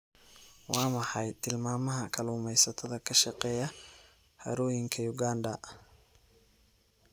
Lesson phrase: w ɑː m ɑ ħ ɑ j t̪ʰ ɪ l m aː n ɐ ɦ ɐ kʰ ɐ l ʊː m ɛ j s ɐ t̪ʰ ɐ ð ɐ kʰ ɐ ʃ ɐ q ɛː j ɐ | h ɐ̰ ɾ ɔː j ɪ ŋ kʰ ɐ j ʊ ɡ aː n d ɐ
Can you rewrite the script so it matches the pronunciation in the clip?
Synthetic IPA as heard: w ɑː m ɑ ħ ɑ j t̪ʰ ɪ l m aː m ɐ ɦ ɐ kʰ ɐ l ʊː m ɛ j s ɐ t̪ʰ ɐ ð ɐ kʰ ɐ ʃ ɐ q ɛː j ɐ | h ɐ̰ ɾ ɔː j ɪ ŋ kʰ ɐ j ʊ ɡ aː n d ɐ